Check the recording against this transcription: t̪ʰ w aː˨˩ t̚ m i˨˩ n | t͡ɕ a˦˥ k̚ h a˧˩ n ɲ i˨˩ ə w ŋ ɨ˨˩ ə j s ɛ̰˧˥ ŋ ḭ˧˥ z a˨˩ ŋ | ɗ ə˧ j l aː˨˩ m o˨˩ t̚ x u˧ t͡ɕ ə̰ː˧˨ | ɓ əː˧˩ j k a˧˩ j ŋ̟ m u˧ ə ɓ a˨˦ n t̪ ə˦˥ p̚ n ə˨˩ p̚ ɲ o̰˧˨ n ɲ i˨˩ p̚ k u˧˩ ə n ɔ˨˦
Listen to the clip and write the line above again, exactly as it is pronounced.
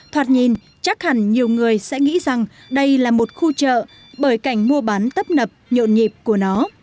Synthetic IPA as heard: t̪ʰ w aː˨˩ t̚ ɲ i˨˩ n | t͡ɕ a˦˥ k̚ h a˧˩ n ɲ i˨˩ ə w ŋ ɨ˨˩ ə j s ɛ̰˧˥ ŋ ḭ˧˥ z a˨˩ ŋ | ɗ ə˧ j l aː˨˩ m o˨˩ t̚ x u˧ t͡ɕ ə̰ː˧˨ | ɓ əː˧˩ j k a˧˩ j ŋ̟ m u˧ ə ɓ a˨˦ n t̪ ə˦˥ p̚ n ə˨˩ p̚ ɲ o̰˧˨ n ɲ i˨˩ p̚ k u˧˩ ə n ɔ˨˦